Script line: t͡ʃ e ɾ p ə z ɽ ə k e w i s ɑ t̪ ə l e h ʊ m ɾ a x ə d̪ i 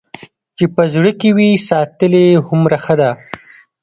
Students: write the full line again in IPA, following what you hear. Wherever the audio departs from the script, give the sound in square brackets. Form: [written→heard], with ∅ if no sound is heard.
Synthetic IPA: t͡ʃ e [ɾ→∅] p ə z ɽ ə k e w i s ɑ t̪ ə l e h ʊ m ɾ a x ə d̪ [i→a]